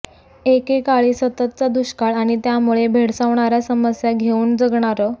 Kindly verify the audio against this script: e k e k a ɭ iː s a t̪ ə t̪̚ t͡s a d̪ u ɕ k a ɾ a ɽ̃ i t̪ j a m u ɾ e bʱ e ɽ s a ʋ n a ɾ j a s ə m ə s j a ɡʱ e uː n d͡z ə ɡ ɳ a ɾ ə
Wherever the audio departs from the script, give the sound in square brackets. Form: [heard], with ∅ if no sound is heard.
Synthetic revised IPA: e k e k a ɭ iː s [ə] t̪ ə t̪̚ t͡s a d̪ u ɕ k a [ɭ] a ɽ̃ i t̪ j a m u [ɭ] e bʱ e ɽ s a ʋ [ɳ] a ɾ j a s ə m ə s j a ɡʱ e uː n d͡z ə ɡ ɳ a ɾ ə